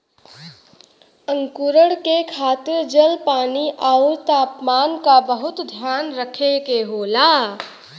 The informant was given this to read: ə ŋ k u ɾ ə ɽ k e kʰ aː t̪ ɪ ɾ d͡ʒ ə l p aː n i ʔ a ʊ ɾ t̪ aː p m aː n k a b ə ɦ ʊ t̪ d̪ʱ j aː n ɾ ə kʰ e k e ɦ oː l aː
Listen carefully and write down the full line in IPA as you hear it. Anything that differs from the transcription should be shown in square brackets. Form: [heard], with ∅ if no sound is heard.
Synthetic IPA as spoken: ə ŋ k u ɾ ə ɽ k e kʰ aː t̪ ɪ ɾ d͡ʒ ə l p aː n i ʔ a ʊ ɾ t̪ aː p m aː n k a b ə ɦ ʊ t̪ d̪ʱ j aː n ɾ ə kʰ e k e ɦ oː l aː